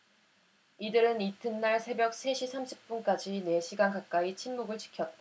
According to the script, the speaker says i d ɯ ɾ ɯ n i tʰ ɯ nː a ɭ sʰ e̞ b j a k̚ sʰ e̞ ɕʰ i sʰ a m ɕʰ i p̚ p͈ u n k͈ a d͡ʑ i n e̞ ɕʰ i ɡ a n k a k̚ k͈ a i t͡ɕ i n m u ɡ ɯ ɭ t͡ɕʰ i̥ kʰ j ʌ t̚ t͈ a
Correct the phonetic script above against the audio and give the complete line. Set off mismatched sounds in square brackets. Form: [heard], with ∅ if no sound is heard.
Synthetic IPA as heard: i d ɯ ɾ ɯ n i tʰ ɯ nː a ɭ sʰ e̞ b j [ʌ] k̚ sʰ e̞ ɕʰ i sʰ a m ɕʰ i p̚ p͈ u n k͈ a d͡ʑ i n e̞ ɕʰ i ɡ a n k a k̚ k͈ a i [t͡ɕʰ] i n m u ɡ ɯ ɭ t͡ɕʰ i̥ kʰ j ʌ t̚ t͈ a